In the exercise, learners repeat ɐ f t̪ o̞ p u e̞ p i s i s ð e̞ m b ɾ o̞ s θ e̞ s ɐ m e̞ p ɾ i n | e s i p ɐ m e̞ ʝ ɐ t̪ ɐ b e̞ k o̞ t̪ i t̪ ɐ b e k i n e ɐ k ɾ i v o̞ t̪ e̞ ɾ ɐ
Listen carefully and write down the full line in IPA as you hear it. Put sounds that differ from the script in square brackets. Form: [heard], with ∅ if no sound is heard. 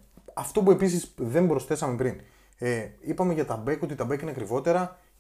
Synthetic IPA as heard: ɐ f t̪ o̞ p u e̞ p i s i s ð e̞ m b ɾ o̞ s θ e̞ s ɐ m e̞ p ɾ i n | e [∅] i p ɐ m e̞ ʝ ɐ t̪ ɐ b e̞ k o̞ t̪ i t̪ ɐ b e k i n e ɐ k ɾ i v o̞ t̪ e̞ ɾ ɐ